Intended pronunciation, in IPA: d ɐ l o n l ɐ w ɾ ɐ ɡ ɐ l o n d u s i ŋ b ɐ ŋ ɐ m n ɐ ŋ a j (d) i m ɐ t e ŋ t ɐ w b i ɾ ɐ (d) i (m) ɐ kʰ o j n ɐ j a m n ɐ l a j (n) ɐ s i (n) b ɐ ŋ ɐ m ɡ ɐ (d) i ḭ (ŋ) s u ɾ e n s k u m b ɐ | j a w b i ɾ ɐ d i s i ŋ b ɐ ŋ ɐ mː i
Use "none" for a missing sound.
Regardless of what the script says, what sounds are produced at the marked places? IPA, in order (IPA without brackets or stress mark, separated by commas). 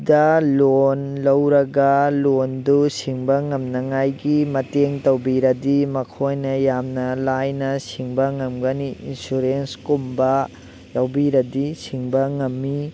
ɡ, d, m, n, ŋ, n, n